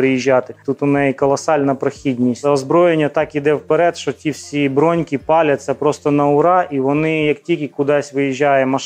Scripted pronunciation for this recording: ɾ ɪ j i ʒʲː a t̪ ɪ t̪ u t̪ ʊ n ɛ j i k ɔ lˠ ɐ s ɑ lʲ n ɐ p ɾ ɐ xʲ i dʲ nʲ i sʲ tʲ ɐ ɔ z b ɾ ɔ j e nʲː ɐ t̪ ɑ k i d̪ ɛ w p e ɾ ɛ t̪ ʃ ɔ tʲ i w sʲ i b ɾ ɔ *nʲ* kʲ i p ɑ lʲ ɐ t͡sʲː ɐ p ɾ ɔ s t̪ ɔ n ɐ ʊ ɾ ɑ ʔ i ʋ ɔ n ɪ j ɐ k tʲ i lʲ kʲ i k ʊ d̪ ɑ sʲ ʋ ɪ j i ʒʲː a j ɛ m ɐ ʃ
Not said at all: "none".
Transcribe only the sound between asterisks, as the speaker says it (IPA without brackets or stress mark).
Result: nʲ